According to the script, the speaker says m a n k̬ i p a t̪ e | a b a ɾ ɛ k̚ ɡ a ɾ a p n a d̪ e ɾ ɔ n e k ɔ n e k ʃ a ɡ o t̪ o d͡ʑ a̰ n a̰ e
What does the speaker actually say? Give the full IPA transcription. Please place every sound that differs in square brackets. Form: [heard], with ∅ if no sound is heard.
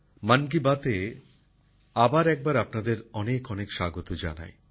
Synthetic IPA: m a n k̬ i [b] a t̪ e | a b a ɾ ɛ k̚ [b] a ɾ a p n a d̪ e ɾ ɔ n e k ɔ n e k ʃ a ɡ o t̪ o d͡ʑ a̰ n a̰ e